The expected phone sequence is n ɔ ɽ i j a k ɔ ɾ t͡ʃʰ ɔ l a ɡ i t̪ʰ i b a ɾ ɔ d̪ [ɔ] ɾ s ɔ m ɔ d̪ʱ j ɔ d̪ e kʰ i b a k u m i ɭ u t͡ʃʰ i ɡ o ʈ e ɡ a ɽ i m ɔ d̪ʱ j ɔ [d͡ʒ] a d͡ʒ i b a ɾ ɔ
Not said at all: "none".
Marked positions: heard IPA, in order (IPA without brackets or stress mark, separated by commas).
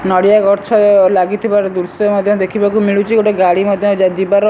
u, d͡ʒ